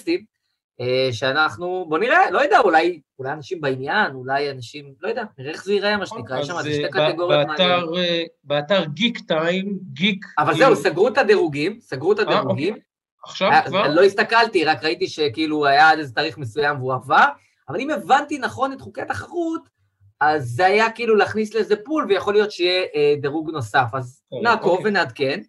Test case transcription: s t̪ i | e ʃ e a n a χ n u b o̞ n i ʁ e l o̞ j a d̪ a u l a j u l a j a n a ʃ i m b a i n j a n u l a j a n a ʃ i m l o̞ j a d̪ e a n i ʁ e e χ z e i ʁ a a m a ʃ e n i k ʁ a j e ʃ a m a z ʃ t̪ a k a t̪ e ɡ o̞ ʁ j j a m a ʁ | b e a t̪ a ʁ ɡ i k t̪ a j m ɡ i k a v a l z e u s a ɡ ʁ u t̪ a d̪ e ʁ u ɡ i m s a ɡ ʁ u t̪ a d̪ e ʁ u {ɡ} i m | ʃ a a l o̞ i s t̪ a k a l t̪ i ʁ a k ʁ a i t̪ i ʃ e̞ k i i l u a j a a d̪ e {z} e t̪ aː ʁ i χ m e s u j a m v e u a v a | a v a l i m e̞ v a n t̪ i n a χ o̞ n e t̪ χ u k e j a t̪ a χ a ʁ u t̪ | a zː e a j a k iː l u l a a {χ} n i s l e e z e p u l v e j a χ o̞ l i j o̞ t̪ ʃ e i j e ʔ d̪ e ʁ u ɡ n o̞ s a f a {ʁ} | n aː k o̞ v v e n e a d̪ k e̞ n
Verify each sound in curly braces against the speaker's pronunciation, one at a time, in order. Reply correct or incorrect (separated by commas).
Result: correct, correct, correct, incorrect